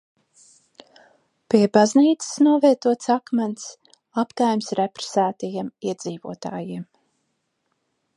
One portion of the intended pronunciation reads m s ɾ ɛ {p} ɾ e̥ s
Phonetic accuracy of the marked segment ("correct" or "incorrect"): correct